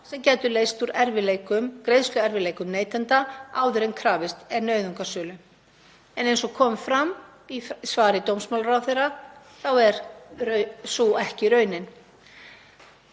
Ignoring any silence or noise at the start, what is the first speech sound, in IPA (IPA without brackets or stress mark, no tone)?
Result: s